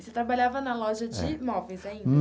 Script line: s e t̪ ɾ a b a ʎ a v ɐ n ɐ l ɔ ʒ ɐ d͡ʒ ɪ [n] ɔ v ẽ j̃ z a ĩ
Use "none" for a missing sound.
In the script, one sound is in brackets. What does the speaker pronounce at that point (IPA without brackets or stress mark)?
m